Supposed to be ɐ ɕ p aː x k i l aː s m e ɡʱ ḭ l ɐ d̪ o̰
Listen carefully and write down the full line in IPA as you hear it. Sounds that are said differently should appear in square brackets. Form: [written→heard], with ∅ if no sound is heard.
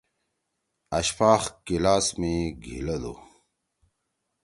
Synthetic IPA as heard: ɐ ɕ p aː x k i l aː s m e ɡʱ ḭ l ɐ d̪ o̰